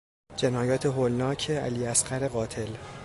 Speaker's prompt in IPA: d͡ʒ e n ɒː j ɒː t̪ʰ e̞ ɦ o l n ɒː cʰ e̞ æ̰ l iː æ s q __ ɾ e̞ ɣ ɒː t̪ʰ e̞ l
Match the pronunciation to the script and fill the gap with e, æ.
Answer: æ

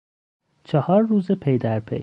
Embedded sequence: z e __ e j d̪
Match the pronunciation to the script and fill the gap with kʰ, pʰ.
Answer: pʰ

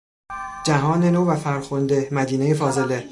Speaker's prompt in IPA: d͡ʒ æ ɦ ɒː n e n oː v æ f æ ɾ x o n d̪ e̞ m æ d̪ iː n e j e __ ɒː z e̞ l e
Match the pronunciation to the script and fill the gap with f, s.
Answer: f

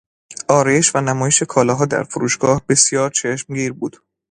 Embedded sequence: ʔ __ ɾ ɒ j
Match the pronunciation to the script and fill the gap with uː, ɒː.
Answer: ɒː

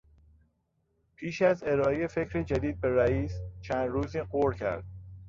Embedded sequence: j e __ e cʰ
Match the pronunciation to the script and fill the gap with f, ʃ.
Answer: f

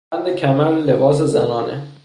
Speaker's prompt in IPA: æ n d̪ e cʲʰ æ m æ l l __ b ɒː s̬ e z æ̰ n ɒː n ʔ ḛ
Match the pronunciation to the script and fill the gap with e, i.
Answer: e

